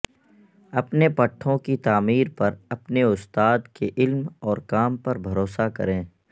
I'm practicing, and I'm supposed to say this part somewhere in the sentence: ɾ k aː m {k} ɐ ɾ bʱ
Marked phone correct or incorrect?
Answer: incorrect